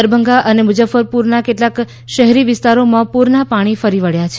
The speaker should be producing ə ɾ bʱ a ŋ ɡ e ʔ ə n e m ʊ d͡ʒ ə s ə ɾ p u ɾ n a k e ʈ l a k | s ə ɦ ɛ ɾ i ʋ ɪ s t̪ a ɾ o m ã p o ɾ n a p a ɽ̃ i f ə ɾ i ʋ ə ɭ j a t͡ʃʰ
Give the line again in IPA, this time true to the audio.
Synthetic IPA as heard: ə ɾ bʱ ə ŋ ɡ a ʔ ə n e m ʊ d͡ʒ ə f ə ɾ p u ɾ n a k e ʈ l a k | ʃ ə ɦ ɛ ɾ i ʋ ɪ s t̪ a ɾ o m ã p u ɾ n a p a ɽ̃ i f ə ɾ i ʋ ə ɭ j a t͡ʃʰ